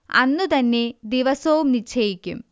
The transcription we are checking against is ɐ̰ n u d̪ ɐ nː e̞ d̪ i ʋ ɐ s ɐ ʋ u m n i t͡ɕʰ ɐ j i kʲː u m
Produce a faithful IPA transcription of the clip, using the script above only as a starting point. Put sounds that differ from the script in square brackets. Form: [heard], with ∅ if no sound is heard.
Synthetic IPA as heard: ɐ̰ [nː] u [t̪] ɐ nː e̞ d̪ i ʋ ɐ s ɐ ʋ u m n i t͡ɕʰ ɐ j i kʲː u m